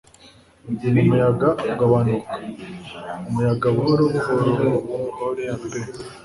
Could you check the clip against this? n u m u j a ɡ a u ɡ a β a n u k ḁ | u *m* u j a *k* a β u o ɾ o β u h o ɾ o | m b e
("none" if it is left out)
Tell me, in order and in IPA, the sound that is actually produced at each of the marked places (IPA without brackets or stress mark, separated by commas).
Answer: m, ɡ